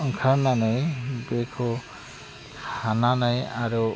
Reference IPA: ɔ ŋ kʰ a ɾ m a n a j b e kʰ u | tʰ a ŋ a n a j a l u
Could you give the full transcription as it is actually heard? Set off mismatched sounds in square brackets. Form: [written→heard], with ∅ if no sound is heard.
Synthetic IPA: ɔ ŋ kʰ a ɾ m a n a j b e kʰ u | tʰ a [ŋ→n] a n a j a [l→ɾ] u